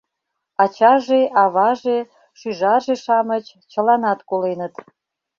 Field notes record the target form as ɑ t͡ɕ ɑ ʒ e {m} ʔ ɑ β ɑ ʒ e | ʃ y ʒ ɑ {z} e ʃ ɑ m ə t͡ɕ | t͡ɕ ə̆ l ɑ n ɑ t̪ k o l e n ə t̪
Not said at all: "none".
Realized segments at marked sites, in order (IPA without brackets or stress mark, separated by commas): none, ʒ